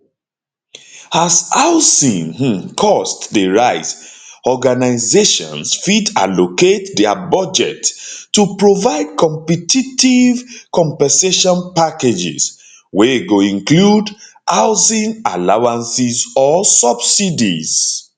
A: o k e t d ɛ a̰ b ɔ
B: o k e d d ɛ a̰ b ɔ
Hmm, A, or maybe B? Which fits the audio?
A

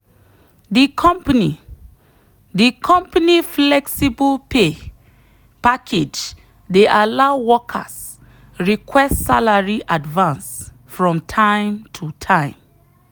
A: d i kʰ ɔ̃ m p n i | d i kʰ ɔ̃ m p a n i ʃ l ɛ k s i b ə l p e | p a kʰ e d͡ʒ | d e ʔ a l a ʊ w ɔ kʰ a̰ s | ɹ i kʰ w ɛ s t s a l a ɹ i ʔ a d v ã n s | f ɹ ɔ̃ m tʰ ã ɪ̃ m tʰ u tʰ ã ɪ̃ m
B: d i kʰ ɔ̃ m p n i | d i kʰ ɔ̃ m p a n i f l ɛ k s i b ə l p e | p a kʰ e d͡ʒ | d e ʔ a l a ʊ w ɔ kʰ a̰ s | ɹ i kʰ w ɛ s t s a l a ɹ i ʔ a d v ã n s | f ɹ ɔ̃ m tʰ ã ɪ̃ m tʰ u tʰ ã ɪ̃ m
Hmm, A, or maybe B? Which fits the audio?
B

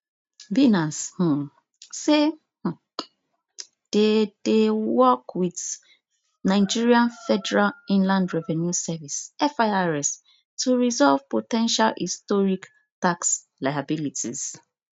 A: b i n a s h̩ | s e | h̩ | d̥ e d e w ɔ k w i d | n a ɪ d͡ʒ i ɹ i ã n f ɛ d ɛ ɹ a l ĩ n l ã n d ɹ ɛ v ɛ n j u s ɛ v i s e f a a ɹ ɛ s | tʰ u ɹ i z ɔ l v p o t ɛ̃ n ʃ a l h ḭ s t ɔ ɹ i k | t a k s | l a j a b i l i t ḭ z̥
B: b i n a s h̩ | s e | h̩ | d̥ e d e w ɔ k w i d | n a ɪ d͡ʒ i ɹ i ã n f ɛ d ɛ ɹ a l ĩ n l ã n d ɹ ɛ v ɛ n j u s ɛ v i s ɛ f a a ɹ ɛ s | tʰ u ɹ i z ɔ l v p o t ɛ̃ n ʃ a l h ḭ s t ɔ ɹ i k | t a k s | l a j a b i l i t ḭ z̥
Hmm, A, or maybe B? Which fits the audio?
B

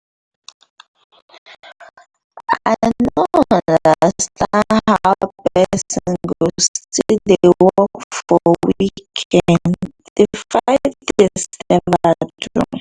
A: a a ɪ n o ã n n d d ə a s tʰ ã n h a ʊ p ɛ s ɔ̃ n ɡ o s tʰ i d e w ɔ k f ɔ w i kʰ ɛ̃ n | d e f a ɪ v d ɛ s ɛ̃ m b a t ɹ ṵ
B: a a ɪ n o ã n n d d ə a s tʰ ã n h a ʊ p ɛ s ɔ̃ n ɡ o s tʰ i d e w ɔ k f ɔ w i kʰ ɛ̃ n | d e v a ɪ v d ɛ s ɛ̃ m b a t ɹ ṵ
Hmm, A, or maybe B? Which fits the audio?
A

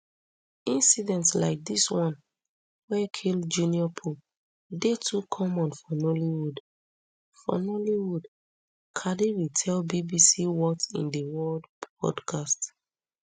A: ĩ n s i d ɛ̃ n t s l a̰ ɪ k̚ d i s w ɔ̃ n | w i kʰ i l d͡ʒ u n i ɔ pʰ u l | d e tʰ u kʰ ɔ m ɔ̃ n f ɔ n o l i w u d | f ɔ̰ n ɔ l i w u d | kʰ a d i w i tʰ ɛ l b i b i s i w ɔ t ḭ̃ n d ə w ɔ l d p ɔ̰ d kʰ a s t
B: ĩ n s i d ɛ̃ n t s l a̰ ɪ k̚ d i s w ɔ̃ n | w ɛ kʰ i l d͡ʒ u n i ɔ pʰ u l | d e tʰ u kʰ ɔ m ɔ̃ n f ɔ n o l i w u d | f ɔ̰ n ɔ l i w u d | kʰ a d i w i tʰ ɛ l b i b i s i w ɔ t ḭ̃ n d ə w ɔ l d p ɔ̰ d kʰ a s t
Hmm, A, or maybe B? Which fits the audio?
B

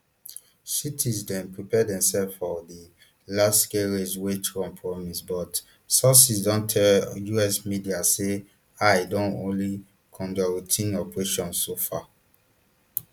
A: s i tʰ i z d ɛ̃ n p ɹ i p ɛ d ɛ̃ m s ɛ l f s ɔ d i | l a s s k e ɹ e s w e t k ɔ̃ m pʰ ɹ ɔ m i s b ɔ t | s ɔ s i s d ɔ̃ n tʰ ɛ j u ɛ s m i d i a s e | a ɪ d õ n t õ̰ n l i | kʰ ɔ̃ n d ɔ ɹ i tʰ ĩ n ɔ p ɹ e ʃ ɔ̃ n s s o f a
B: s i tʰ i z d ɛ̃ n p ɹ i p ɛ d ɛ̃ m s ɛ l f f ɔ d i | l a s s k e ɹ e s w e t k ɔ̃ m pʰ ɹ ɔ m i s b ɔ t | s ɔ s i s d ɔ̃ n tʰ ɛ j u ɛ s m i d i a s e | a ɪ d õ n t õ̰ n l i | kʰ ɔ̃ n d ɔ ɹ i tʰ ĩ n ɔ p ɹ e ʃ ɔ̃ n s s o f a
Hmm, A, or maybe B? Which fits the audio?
B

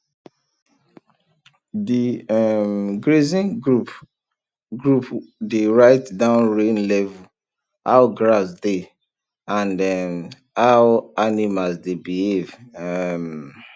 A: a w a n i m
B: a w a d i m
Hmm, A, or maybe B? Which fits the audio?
A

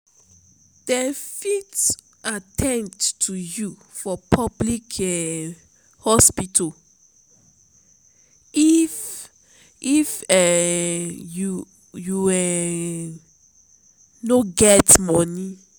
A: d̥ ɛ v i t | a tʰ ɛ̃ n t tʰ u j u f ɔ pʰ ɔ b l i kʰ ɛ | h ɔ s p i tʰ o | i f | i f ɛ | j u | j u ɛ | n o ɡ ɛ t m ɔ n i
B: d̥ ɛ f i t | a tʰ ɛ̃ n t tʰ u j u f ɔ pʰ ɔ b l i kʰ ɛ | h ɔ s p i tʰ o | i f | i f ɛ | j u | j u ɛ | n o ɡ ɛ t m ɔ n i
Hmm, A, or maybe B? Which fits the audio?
B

